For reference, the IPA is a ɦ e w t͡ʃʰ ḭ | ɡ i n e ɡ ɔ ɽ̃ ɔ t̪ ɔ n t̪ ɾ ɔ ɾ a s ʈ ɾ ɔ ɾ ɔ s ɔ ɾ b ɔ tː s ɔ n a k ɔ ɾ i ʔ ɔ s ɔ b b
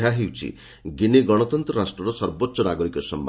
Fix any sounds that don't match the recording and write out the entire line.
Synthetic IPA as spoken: a ɦ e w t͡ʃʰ ḭ | ɡ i n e ɡ ɔ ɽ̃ ɔ t̪ ɔ n t̪ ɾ ɔ ɾ a s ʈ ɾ ɔ ɾ ɔ s ɔ ɾ b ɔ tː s ɔ n a ɡ ɔ ɾ i k ɔ s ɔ m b